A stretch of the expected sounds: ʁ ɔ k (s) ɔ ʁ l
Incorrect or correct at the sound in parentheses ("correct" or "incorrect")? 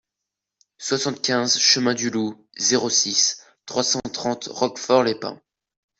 incorrect